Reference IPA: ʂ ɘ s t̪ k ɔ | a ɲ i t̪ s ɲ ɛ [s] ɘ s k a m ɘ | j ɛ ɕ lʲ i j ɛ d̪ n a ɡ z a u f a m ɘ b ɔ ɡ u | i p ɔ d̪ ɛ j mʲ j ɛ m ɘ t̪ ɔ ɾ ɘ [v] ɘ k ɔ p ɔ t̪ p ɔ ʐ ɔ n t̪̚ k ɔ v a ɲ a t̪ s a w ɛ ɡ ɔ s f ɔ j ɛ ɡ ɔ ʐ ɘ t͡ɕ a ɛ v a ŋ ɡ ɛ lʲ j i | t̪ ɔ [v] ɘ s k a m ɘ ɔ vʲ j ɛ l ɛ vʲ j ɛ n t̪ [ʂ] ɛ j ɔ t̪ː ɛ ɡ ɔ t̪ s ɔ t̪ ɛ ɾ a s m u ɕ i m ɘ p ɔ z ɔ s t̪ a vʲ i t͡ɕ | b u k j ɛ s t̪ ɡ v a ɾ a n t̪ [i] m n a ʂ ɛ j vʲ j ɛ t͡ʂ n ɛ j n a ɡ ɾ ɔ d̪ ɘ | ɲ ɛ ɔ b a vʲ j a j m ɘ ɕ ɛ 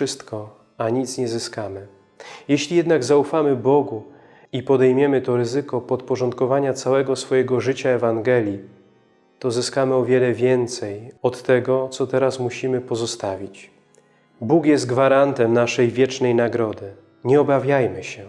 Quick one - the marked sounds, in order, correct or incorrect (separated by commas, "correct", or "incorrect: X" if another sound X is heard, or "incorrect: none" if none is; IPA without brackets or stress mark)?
incorrect: z, incorrect: z, incorrect: z, incorrect: s, incorrect: ɛ